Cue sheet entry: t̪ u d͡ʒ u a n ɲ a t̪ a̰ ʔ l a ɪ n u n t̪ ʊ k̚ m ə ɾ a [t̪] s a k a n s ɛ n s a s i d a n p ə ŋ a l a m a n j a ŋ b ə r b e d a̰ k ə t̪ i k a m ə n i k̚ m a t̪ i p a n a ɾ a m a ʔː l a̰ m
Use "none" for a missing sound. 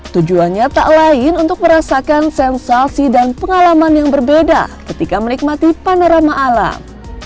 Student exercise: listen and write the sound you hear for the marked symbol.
none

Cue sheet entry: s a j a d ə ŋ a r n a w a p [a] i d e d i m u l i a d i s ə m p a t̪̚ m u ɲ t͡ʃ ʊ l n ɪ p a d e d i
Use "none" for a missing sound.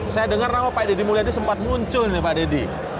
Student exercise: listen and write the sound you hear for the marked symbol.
a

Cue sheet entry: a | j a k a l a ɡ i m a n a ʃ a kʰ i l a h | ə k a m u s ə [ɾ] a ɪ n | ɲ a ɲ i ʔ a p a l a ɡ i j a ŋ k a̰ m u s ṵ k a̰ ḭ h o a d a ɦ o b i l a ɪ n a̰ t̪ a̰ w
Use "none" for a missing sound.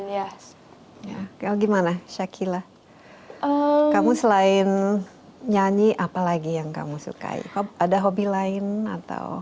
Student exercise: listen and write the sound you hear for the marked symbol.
l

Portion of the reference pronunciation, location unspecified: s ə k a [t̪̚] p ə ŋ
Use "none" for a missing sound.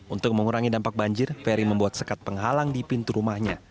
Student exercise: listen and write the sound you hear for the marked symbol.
t̪̚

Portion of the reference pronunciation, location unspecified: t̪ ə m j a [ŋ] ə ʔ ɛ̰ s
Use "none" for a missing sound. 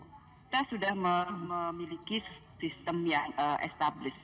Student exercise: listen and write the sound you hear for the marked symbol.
ŋ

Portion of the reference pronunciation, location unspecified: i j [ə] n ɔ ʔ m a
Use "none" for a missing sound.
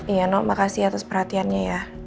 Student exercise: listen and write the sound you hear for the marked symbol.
a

